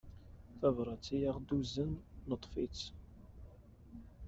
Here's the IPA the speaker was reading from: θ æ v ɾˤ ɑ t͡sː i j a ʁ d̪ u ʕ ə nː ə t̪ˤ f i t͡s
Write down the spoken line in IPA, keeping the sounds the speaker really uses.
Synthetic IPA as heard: θ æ v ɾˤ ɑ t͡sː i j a ʁ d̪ u z ə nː ə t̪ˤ f i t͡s